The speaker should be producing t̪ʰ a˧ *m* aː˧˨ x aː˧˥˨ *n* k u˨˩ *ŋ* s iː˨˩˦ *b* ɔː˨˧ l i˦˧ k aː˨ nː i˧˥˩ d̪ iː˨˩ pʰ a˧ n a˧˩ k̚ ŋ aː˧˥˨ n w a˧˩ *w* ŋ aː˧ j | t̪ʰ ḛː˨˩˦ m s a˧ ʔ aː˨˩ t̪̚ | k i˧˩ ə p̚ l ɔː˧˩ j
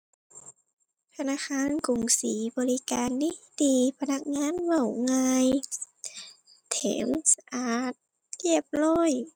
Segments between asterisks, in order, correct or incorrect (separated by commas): incorrect, correct, correct, correct, correct